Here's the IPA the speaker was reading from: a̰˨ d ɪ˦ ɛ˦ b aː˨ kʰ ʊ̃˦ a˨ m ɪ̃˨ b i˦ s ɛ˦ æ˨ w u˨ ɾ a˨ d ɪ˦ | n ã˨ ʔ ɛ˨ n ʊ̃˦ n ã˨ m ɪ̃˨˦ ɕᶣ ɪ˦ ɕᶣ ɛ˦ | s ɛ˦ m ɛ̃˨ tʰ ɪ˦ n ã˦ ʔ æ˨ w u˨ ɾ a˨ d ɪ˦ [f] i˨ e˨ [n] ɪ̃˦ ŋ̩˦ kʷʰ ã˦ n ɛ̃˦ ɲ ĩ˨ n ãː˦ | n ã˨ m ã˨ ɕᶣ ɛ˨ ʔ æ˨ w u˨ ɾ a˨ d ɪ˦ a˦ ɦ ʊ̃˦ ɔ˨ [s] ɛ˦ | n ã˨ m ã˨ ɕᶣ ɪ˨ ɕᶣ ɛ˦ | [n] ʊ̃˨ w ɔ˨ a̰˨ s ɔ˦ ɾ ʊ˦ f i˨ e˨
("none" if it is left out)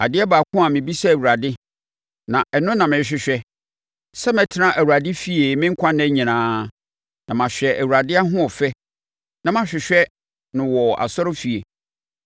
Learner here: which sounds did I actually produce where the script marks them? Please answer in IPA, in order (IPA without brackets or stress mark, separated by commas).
f, m, f, n